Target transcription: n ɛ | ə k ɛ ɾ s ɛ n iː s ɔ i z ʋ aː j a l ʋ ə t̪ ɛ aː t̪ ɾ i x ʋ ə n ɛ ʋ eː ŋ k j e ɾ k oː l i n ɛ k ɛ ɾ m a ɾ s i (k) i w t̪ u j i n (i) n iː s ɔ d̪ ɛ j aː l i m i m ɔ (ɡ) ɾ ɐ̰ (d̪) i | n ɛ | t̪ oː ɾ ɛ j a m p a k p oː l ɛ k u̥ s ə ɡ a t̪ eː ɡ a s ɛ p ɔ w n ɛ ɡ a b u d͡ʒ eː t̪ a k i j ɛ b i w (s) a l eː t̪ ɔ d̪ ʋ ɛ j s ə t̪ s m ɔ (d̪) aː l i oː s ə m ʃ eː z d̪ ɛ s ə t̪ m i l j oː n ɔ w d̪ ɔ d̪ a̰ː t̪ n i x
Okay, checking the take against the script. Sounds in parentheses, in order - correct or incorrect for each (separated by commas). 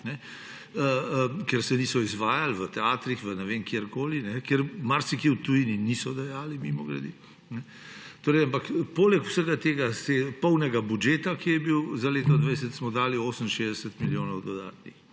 correct, correct, correct, correct, incorrect, correct